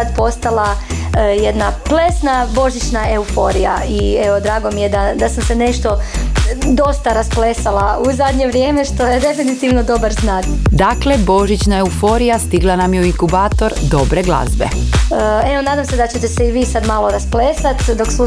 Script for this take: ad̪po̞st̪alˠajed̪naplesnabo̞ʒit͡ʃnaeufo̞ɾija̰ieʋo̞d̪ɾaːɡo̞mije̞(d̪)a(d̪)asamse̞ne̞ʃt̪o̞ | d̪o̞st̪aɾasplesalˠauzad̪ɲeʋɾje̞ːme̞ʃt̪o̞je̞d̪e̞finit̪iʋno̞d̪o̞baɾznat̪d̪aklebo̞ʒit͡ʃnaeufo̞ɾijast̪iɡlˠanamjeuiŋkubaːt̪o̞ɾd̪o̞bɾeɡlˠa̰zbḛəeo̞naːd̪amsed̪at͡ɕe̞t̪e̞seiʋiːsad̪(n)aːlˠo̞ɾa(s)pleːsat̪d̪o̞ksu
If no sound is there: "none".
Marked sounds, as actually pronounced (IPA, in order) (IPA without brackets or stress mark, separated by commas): d̪, d̪, m, s